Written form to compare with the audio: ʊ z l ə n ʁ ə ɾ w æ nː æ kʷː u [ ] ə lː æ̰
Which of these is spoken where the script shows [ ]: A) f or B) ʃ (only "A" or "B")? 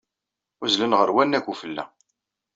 A